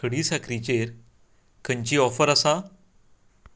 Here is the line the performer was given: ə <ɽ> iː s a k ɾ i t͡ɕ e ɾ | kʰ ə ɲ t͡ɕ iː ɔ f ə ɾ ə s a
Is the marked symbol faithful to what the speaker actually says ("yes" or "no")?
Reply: yes